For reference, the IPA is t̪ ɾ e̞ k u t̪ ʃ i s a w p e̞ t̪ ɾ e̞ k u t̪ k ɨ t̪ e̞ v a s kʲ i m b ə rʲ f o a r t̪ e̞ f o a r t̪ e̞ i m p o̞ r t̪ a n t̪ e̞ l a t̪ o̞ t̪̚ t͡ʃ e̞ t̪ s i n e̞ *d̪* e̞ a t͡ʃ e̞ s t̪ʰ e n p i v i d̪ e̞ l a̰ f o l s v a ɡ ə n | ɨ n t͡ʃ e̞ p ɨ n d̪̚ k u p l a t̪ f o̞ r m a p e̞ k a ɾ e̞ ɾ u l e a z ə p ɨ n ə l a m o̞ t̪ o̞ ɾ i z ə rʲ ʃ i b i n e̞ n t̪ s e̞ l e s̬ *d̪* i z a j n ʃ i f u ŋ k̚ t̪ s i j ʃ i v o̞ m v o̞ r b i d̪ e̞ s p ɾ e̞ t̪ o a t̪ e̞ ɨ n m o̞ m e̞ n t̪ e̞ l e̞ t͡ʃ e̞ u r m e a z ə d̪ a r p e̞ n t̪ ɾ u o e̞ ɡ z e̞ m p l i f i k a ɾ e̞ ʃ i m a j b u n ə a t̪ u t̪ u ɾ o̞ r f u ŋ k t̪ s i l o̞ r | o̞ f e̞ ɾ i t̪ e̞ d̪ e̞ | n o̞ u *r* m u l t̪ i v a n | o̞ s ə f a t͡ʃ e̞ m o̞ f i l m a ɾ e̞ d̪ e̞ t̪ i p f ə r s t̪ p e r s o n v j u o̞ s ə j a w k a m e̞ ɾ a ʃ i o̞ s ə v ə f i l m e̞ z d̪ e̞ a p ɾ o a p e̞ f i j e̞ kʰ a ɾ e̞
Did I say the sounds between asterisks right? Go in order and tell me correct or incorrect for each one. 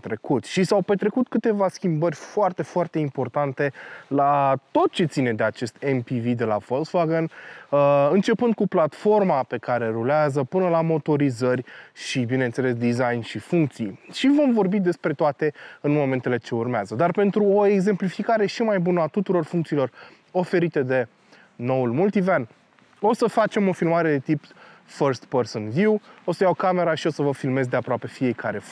correct, correct, incorrect: l

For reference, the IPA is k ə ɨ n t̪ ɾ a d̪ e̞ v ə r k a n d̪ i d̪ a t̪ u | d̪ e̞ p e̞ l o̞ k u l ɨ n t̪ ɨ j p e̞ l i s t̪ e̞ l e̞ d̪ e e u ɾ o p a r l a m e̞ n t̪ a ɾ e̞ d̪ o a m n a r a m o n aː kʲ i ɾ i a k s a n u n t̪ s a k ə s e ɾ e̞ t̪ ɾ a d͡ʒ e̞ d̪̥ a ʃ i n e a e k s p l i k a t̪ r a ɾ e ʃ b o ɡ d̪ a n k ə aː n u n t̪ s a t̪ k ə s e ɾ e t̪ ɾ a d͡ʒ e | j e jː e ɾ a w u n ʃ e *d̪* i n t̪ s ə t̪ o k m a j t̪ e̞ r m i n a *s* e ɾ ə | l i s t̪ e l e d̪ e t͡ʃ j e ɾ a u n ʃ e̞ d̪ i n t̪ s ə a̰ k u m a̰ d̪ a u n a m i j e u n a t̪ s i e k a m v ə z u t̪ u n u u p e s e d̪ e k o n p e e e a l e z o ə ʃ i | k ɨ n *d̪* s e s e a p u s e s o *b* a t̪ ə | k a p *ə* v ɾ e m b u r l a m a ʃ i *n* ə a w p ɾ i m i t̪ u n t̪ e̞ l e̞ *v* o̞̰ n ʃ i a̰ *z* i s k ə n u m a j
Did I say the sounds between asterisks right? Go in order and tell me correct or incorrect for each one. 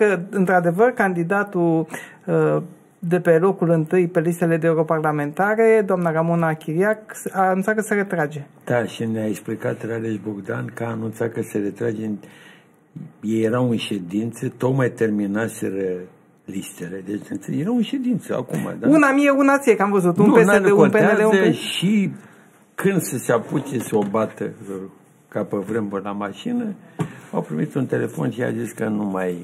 correct, correct, correct, correct, correct, correct, incorrect: f, correct

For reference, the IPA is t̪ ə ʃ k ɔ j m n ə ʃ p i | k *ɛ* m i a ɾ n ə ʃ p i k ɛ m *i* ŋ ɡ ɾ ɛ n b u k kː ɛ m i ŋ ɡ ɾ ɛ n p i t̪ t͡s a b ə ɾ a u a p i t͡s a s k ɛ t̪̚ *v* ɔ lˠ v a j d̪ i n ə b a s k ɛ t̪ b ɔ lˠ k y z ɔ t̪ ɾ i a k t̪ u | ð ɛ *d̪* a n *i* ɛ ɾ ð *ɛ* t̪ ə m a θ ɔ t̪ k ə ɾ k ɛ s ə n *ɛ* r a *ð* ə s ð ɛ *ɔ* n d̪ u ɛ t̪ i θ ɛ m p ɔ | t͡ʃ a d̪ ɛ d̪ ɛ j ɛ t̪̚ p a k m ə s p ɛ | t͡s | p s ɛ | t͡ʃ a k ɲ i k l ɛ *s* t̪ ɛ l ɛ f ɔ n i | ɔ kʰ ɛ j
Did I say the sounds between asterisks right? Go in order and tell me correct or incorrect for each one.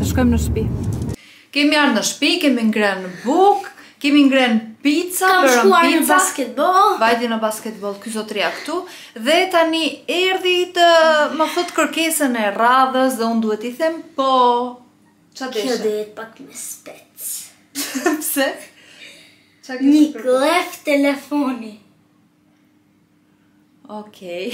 correct, correct, incorrect: b, incorrect: t̪, correct, incorrect: i, correct, correct, incorrect: u, incorrect: f

